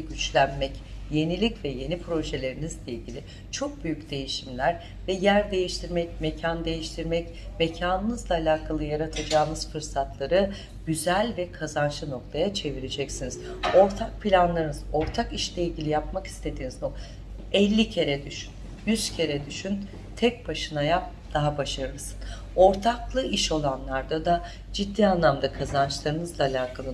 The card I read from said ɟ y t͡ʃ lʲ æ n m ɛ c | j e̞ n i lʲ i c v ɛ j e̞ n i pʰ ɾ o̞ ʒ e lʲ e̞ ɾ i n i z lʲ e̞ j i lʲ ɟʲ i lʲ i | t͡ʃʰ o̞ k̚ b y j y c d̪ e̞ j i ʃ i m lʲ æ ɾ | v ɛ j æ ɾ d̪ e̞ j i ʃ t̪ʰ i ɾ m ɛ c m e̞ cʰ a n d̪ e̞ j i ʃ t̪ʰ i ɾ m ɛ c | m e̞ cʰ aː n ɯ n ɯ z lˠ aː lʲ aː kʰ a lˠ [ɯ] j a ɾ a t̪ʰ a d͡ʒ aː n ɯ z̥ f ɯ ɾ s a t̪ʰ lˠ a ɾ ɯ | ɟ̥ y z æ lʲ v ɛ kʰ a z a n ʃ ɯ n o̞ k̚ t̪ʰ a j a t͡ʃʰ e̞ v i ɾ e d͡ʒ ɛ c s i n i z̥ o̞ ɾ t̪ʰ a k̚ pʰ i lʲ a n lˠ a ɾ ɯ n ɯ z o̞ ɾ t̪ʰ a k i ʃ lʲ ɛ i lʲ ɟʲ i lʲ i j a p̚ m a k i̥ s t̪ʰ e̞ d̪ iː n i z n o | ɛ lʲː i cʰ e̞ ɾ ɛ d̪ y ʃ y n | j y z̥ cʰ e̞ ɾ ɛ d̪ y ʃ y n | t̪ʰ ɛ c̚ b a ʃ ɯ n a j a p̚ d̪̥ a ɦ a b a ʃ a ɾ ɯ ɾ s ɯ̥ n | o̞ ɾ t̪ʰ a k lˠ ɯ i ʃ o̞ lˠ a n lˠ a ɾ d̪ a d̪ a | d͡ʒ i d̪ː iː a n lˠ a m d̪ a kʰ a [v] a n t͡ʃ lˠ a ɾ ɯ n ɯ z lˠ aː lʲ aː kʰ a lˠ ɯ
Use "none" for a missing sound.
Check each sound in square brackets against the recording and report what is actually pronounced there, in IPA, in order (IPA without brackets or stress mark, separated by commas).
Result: ɯ, z